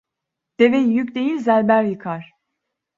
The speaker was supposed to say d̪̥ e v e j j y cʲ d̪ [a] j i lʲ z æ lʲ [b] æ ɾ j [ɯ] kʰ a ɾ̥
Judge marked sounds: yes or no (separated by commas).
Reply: no, yes, yes